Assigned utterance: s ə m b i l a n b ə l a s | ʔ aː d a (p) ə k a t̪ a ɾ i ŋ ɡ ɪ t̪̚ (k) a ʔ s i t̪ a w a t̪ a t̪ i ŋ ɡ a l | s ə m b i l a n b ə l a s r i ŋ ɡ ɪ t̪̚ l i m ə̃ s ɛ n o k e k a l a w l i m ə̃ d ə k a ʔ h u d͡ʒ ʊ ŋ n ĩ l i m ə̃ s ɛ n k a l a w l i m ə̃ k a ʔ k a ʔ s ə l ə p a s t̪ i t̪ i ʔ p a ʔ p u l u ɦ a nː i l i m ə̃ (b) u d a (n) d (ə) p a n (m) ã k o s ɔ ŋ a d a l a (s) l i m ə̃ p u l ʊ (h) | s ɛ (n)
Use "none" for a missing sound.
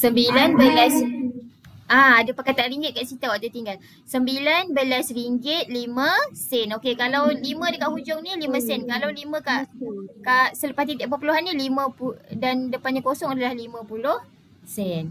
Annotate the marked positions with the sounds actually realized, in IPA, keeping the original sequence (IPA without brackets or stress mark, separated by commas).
p, k, p, n, ə, ɲ, h, h, n